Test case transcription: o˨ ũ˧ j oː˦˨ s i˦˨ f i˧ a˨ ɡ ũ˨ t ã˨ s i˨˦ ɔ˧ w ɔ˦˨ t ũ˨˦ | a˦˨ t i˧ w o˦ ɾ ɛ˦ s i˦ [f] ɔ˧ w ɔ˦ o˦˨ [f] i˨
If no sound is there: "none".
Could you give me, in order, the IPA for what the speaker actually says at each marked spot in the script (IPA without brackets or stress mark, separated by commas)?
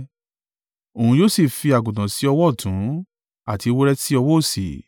none, s